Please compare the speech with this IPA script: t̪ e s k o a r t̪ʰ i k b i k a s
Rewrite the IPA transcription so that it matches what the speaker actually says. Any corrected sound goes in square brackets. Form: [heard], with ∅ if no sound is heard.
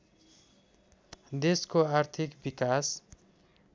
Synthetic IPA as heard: [d̪] e s k o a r t̪ʰ i k b i k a s